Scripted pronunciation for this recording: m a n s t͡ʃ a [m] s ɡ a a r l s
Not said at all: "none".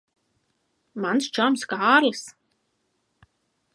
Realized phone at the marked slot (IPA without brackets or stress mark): m